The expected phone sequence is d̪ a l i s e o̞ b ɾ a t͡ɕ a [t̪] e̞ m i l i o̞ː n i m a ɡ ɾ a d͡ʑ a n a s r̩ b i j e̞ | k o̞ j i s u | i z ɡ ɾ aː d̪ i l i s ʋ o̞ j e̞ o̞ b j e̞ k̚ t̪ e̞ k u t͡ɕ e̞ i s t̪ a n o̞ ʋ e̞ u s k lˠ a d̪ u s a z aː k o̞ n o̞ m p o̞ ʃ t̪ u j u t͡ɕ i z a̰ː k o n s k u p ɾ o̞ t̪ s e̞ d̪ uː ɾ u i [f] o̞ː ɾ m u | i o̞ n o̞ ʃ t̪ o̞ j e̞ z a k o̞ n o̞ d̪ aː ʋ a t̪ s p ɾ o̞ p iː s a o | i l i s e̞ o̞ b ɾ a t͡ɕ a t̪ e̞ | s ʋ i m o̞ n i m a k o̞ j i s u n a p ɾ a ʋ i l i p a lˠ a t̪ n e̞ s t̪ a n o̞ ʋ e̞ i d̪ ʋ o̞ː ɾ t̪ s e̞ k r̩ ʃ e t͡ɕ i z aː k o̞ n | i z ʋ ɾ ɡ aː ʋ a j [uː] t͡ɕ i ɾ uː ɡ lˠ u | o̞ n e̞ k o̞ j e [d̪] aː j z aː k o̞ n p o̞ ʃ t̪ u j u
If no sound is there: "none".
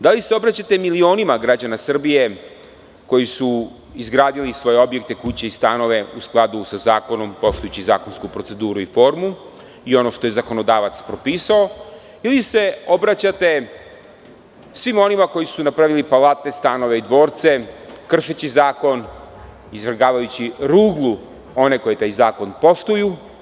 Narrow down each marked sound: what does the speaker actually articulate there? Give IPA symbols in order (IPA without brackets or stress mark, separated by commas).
t̪, f, u, t̪